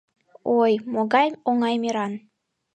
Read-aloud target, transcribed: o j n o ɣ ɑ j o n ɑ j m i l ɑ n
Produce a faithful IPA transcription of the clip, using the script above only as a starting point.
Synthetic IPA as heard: o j m o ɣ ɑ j o ŋ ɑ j m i ɾ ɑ n